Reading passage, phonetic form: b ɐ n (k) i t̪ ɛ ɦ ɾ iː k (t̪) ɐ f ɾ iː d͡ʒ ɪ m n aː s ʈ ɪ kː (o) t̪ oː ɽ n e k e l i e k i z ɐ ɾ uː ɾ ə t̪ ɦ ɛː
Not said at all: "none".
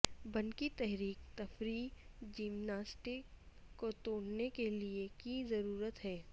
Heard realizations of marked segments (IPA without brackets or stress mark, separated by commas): k, t̪, o